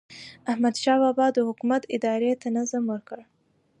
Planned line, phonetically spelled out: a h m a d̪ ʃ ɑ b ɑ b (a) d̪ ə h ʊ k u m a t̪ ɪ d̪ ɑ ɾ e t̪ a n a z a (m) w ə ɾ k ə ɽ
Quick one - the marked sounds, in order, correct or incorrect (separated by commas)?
incorrect, correct